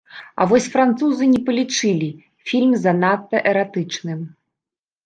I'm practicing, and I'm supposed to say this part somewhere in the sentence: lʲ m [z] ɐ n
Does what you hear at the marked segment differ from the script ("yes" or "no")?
no